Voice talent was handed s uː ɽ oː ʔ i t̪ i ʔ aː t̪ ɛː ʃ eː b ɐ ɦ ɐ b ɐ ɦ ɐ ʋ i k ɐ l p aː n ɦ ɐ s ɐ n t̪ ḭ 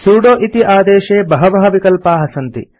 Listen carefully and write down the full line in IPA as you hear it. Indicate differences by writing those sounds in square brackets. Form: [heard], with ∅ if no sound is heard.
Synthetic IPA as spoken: s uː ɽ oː ʔ i t̪ i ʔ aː [d̪] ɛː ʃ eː b ɐ ɦ ɐ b ɐ ɦ ɐ ʋ i k ɐ l p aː [∅] ɦ ɐ s ɐ n t̪ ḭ

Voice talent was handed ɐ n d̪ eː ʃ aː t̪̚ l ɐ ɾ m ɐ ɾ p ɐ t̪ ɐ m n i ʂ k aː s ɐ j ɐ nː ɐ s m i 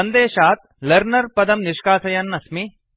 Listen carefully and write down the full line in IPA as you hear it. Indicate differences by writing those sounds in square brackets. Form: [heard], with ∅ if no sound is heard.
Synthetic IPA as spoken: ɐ n d̪ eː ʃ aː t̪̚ l ɐ ɾ [n] ɐ ɾ p ɐ [d̪] ɐ m n i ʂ k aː s ɐ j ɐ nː ɐ s m i

